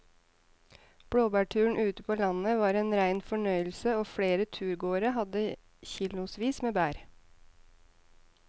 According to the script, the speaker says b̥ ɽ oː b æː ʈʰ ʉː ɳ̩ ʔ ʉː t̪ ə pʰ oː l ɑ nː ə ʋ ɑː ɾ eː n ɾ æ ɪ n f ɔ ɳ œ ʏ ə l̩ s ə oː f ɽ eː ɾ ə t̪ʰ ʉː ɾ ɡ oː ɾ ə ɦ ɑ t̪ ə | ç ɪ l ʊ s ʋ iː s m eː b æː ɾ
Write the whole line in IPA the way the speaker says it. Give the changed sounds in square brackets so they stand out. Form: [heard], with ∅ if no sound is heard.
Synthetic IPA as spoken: b̥ ɽ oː b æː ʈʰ ʉː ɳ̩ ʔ ʉː t̪ ə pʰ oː l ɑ [n] ə ʋ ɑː ɾ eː n ɾ æ ɪ n f ɔ ɳ œ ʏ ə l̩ s ə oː f ɽ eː ɾ ə t̪ʰ ʉː ɾ ɡ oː ɾ ə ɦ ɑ [d̪] ə | ç ɪ l ʊ s ʋ iː s m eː b æː ɾ

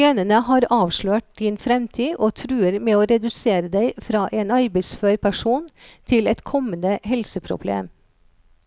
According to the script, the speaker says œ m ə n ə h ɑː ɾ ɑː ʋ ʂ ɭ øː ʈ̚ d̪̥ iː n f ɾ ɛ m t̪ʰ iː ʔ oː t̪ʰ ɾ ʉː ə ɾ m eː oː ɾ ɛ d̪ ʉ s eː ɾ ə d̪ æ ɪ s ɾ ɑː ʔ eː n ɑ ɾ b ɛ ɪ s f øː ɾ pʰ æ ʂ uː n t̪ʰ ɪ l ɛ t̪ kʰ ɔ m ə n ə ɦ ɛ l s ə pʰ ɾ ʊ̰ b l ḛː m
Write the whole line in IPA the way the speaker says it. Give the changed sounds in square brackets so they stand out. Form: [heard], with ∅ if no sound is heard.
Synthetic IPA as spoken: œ [n] ə n ə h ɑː ɾ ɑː ʋ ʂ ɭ øː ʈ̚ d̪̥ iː n f ɾ ɛ m t̪ʰ iː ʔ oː t̪ʰ ɾ ʉː ə ɾ m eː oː ɾ ɛ d̪ ʉ s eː ɾ ə d̪ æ ɪ [f] ɾ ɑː ʔ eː n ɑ ɾ b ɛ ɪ s f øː ɾ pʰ æ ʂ uː n t̪ʰ ɪ l ɛ t̪ kʰ ɔ m ə n ə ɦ ɛ l s ə pʰ ɾ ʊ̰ b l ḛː m

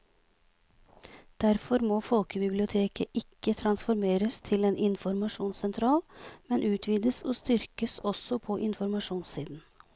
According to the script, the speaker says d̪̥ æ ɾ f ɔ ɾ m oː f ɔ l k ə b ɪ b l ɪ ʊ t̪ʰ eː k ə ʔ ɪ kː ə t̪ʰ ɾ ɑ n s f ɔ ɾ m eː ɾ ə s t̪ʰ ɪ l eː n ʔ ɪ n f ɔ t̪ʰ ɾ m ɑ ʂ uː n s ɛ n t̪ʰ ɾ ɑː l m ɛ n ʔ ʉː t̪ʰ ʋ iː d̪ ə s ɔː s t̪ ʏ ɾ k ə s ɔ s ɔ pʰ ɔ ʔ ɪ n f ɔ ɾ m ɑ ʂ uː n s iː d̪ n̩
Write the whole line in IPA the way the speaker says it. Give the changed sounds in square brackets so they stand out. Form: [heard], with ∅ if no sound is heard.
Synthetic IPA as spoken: d̪̥ æ ɾ f ɔ ɾ m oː f ɔ l k ə b ɪ b l ɪ ʊ t̪ʰ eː k ə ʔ ɪ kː ə t̪ʰ ɾ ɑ n s f ɔ ɾ m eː ɾ ə s t̪ʰ ɪ l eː n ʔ ɪ n f ɔ [∅] ɾ m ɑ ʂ uː n s ɛ n t̪ʰ ɾ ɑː l m ɛ n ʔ ʉː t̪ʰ ʋ iː d̪ ə s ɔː s t̪ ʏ ɾ k ə s ɔ s ɔ pʰ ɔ ʔ ɪ n f ɔ ɾ m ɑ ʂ uː n s iː d̪ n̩

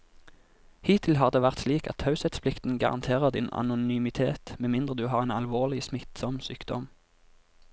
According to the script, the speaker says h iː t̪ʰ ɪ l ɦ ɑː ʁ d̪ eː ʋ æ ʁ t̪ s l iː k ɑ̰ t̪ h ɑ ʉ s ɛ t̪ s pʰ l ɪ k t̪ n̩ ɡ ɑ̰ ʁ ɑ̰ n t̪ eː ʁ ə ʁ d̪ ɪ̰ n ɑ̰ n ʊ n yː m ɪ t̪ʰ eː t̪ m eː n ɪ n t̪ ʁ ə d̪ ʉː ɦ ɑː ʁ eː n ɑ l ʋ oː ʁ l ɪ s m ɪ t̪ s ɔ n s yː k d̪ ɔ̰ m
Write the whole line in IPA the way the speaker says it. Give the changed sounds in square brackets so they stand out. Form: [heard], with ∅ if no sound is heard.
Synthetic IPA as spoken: h iː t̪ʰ ɪ l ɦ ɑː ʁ d̪ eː ʋ æ ʁ t̪ s l iː k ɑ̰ t̪ h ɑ ʉ s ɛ t̪ s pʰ l ɪ k t̪ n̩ ɡ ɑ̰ ʁ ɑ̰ n [t̪ʰ] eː ʁ ə ʁ d̪ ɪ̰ n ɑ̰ n ʊ n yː m ɪ t̪ʰ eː t̪ m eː [m] ɪ n [d̪] ʁ ə d̪ ʉː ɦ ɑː ʁ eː n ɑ l ʋ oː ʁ l ɪ s m ɪ t̪ s ɔ [m] s yː k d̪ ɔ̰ m

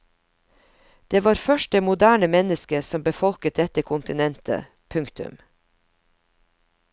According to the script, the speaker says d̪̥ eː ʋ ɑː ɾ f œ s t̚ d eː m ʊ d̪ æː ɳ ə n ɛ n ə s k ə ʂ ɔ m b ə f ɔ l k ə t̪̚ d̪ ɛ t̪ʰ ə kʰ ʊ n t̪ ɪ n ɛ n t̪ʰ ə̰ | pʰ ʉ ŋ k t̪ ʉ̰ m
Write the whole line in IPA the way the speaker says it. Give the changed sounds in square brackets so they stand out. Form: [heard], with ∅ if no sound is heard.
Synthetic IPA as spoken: d̪̥ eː ʋ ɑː ɾ f œ [ʃ] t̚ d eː m ʊ d̪ æː ɳ ə [m] ɛ n ə s k ə [s] ɔ m b ə f ɔ l k ə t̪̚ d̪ ɛ [t̪] ə kʰ ʊ n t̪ ɪ n ɛ n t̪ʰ ə̰ | pʰ ʉ ŋ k t̪ ʉ̰ m

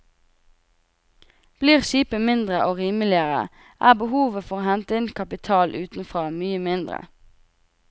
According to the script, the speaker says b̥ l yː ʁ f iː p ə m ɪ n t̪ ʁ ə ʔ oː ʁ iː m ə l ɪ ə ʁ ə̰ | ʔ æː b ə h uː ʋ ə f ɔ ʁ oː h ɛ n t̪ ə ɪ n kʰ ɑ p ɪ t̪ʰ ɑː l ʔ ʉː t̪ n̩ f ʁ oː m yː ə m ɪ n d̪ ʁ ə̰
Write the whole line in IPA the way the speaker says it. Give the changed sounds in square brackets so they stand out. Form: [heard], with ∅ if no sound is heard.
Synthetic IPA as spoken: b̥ l [iː] ʁ [ʃ] iː p ə m ɪ n [d̪] ʁ ə ʔ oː ʁ iː m ə l ɪ ə ʁ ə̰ | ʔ æː b ə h uː ʋ ə f ɔ ʁ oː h ɛ n t̪ ə ɪ n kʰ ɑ p ɪ t̪ʰ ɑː l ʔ ʉː t̪ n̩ f ʁ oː m yː ə m ɪ n d̪ ʁ ə̰

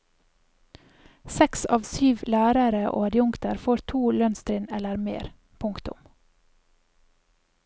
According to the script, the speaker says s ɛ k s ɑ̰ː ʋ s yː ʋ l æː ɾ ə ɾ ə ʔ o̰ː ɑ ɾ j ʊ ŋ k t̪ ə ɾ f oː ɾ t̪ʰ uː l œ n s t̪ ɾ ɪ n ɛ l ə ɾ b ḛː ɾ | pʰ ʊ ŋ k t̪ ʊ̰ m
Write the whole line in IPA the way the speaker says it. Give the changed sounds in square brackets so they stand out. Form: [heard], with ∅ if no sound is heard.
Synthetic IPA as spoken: s ɛ k s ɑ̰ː ʋ s yː ʋ l æː ɾ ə ɾ ə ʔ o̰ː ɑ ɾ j ʊ ŋ k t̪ ə ɾ f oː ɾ t̪ʰ uː l œ n s t̪ ɾ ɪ n ɛ l ə ɾ [m] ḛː ɾ | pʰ ʊ ŋ k t̪ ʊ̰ m

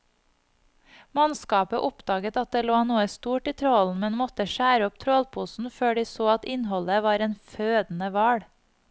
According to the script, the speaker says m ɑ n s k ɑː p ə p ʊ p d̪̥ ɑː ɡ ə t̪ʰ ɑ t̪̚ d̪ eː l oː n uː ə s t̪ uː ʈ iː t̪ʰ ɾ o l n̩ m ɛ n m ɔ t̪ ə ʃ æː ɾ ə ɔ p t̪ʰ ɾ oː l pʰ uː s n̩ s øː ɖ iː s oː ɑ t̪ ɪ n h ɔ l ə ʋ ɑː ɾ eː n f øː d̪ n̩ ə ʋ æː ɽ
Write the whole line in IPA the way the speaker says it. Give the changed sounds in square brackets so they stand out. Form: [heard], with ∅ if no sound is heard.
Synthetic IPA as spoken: m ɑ n s k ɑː p ə [ʔ] ʊ p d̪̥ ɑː ɡ ə [t̪] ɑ t̪̚ d̪ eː l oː n uː ə s t̪ uː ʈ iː t̪ʰ ɾ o l n̩ m ɛ n m ɔ t̪ ə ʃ æː ɾ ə ɔ p t̪ʰ ɾ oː l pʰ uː s n̩ [f] øː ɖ iː s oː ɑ t̪ ɪ n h ɔ l ə ʋ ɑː ɾ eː n f øː d̪ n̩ ə ʋ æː ɽ

